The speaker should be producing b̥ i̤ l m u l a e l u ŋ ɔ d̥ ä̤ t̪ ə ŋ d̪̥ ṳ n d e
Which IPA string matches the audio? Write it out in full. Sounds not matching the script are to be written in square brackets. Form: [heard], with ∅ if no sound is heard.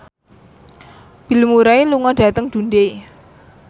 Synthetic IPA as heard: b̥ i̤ l m u [ɾ] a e l u ŋ ɔ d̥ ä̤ t̪ ə ŋ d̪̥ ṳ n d e